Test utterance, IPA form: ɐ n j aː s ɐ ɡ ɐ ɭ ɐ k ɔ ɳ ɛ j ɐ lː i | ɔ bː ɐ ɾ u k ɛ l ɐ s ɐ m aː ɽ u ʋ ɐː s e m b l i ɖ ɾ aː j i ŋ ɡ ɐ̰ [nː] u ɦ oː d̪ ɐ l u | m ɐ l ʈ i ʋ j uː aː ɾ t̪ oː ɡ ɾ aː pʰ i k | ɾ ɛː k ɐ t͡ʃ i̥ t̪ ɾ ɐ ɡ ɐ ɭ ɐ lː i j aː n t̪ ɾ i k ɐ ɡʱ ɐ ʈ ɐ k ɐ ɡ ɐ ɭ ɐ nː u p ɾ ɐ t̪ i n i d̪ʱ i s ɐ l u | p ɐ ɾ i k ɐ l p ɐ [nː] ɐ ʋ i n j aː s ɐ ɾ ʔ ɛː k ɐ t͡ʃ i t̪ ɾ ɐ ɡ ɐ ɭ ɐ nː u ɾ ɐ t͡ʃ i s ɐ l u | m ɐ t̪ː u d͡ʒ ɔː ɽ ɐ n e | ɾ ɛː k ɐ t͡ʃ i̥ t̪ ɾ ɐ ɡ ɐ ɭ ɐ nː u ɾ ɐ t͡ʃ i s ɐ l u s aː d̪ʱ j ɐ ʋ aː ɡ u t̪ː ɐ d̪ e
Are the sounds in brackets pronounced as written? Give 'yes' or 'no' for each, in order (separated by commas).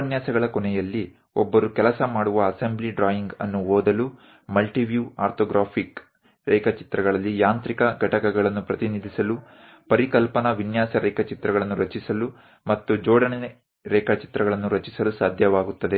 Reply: yes, no